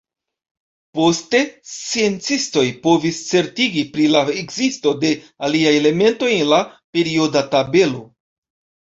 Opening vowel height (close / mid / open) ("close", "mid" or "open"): mid